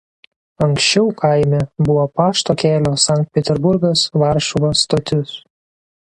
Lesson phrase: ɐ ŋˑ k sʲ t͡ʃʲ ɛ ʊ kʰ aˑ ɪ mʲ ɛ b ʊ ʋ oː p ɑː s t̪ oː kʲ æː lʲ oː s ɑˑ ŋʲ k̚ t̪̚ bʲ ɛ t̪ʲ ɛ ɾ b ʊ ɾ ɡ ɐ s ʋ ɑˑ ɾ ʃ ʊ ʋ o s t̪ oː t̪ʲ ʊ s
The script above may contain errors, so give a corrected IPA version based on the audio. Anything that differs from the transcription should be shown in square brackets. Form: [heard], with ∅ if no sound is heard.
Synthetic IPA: ɐ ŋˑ k sʲ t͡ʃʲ ɛ ʊ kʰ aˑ ɪ mʲ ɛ b ʊ ʋ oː p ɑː [ʃ] t̪ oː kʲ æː lʲ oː s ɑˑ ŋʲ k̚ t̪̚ [pʲ] ɛ t̪ʲ ɛ ɾ b ʊ ɾ ɡ ɐ s ʋ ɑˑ ɾ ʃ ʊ ʋ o s t̪ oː t̪ʲ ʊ s